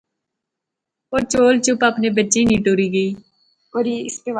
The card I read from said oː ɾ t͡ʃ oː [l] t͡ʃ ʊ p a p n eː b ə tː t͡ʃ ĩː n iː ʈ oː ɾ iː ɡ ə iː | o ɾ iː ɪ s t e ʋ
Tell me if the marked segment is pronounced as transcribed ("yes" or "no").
yes